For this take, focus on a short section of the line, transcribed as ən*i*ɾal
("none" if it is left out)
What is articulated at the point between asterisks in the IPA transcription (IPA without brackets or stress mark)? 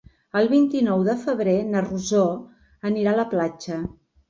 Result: i